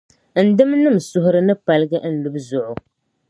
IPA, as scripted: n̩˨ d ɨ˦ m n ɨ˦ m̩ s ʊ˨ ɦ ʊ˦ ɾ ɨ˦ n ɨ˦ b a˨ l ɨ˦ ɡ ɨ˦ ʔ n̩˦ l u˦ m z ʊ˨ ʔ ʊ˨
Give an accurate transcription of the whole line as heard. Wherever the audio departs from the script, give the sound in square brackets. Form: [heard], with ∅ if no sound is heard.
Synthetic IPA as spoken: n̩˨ d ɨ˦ m n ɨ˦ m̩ s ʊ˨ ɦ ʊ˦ ɾ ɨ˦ n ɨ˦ [p] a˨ l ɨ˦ ɡ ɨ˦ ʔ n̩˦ l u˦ [b] z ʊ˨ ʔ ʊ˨